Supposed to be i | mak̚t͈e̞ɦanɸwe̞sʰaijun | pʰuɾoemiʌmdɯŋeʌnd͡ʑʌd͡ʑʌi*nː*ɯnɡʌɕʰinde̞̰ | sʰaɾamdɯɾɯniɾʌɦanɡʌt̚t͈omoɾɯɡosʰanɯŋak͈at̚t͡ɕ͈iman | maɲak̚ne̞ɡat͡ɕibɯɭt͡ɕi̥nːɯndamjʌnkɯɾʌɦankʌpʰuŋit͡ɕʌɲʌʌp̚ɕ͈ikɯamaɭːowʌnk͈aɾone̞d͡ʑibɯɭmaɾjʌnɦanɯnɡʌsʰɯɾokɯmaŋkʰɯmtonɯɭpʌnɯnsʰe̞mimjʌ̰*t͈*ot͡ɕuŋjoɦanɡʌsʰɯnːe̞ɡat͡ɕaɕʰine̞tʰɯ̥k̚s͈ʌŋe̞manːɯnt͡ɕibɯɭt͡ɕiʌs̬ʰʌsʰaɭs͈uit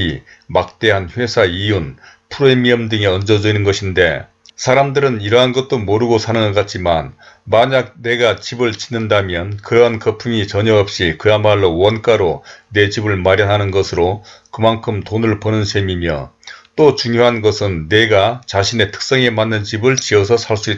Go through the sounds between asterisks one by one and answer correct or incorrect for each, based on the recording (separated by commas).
incorrect, correct